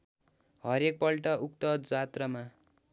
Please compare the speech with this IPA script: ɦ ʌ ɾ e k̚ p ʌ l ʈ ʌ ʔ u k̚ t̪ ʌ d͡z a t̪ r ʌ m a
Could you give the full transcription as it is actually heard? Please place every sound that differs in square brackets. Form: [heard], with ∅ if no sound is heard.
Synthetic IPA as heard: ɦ ʌ ɾ e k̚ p ʌ l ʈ ʌ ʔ u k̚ t̪ ʌ d͡z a t̪ r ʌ m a

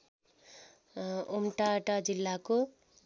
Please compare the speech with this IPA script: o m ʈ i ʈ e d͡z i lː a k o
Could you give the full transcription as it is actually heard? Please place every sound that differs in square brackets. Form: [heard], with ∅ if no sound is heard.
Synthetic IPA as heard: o m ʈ [a] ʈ [a] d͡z i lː a k o

